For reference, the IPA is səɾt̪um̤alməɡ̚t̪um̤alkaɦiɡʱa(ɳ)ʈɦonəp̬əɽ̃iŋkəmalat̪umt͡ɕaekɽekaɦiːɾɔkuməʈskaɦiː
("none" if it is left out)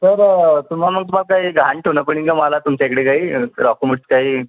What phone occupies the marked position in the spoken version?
ɳ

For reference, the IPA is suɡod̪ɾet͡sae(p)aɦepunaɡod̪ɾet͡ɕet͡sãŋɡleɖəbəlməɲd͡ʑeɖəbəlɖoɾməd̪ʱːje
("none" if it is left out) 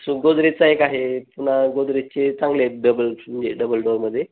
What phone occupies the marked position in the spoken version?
k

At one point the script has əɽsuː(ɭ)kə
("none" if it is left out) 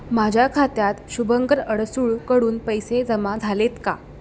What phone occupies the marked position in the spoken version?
ɭ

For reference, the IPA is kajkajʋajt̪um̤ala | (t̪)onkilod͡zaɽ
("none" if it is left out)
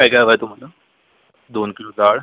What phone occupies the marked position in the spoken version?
d̪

